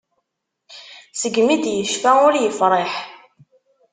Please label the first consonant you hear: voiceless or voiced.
voiceless